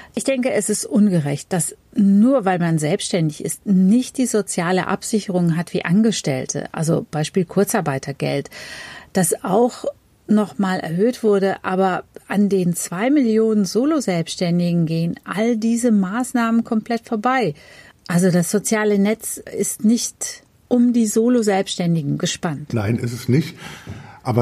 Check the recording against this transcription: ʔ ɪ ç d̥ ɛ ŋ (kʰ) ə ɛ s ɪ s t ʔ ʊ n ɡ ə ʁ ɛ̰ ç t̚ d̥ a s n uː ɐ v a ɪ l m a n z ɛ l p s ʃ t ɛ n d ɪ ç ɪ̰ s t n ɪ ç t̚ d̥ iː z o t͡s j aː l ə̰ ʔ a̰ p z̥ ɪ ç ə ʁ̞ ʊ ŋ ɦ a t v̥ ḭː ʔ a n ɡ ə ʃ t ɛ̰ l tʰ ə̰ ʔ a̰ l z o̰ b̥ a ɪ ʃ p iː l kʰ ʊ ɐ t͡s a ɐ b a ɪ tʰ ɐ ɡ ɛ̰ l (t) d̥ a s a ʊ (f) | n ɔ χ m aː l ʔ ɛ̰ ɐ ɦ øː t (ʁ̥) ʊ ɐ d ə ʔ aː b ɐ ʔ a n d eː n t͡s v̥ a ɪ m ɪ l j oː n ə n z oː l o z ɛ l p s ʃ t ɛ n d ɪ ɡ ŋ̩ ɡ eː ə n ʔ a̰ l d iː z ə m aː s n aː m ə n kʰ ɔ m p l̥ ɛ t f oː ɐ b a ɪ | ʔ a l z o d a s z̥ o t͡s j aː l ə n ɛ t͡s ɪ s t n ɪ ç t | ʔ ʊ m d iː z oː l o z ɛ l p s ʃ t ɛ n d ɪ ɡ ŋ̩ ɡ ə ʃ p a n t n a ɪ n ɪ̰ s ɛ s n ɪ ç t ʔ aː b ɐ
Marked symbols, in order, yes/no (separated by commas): no, yes, no, no